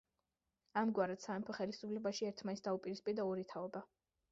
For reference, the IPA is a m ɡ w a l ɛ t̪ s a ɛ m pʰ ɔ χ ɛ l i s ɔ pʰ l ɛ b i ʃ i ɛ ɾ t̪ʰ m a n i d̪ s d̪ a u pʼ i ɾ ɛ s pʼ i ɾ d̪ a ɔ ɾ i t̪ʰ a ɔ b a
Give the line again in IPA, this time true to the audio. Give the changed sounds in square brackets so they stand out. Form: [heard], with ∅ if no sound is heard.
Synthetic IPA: a m ɡ w a [ɾ] ɛ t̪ s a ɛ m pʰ ɔ χ ɛ l i s [u] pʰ l ɛ b [a] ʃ i ɛ ɾ t̪ʰ m a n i [∅] s d̪ a u pʼ i ɾ [i] s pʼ i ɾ d̪ a ɔ ɾ i t̪ʰ a ɔ b a